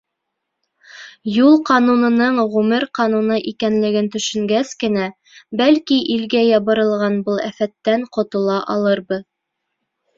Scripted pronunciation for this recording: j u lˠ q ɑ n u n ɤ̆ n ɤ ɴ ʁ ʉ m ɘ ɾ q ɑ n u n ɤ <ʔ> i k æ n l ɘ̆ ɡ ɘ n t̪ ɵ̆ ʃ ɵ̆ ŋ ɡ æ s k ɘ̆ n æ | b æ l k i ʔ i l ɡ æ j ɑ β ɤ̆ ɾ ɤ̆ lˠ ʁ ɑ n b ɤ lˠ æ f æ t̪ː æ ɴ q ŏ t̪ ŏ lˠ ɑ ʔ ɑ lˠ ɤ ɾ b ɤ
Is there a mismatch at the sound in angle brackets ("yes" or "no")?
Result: no